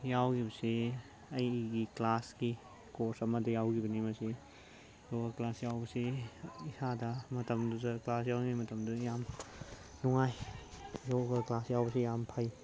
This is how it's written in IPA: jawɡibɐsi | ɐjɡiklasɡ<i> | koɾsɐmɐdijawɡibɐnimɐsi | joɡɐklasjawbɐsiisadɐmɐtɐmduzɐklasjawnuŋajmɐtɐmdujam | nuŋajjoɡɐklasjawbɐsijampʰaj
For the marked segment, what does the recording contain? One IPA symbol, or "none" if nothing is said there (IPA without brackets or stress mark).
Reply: i